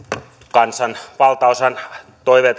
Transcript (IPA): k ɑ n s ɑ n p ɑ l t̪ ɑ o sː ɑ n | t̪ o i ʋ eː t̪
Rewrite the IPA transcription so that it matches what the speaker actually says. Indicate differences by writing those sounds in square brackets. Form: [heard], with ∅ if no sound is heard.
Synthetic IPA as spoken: k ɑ n s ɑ n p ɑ l t̪ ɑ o [s] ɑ n | t̪ o i ʋ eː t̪

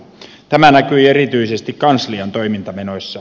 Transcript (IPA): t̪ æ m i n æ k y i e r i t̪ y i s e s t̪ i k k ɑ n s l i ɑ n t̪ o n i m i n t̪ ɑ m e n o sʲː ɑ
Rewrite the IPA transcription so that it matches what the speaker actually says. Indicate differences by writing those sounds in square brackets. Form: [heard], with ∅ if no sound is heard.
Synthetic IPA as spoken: t̪ æ m [æ] n æ k y i e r i t̪ y i s e s t̪ i k k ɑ n s l i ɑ n t̪ o [∅] i m i n t̪ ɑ m e n o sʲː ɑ

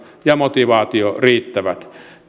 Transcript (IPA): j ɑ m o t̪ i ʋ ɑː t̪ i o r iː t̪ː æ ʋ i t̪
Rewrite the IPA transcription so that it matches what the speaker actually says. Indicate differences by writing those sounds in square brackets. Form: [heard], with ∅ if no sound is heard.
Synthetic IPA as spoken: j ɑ m o t̪ i ʋ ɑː t̪ i o r iː t̪ː æ ʋ [æ] t̪

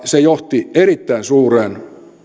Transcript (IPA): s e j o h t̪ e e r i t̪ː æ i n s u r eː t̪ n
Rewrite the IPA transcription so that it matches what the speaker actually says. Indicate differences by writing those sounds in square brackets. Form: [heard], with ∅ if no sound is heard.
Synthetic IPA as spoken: s e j o h t̪ [i] e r i t̪ː æ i n s [uː] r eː [∅] n

